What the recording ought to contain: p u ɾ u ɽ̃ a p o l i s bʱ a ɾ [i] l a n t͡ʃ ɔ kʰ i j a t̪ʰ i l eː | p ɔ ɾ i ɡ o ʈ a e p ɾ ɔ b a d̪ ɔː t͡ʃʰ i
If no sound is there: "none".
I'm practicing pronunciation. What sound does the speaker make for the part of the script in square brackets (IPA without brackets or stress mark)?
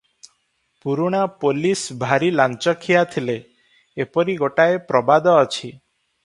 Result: i